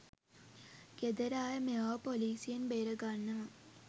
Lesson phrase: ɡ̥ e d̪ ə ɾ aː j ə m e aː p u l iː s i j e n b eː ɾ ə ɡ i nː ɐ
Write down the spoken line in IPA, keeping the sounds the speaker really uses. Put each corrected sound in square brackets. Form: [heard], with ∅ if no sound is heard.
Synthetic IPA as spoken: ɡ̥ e d̪ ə ɾ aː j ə m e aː p [o] l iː s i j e n b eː ɾ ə ɡ [a] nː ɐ